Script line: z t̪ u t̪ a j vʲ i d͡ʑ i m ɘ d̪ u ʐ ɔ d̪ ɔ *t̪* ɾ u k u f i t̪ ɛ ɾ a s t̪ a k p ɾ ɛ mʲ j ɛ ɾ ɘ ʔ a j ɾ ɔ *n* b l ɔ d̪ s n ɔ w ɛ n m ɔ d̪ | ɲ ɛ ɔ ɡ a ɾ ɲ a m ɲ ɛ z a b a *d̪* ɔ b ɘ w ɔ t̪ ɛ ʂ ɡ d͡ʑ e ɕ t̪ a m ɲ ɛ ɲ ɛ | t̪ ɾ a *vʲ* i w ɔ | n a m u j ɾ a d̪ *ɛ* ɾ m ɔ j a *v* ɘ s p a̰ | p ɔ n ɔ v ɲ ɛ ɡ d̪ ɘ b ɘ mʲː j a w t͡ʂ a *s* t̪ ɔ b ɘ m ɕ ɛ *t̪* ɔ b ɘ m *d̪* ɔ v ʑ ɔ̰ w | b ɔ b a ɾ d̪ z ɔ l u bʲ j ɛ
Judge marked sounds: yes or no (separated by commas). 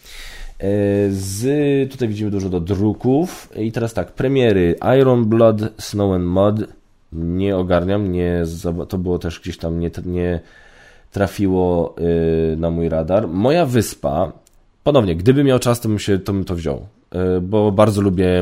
no, yes, no, no, no, yes, yes, yes, no